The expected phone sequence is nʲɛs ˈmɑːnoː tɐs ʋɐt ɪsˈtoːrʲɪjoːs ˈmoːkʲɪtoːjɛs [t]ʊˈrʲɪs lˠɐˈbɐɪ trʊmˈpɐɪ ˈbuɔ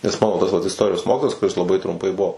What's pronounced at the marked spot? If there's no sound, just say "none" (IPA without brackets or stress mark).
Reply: k